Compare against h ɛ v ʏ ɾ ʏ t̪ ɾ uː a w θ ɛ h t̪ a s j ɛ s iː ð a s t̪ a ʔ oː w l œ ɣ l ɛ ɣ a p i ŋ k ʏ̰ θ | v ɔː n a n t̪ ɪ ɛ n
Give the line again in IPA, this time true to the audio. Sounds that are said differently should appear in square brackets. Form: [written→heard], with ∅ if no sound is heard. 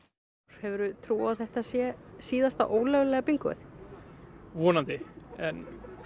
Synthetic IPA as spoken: h ɛ v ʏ ɾ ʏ [t̪→t̪ʰ] ɾ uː a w θ ɛ h t̪ a s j ɛ s iː ð a s t̪ a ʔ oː w l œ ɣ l ɛ ɣ a p i ŋ k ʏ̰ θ | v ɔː n a n t̪ ɪ ɛ n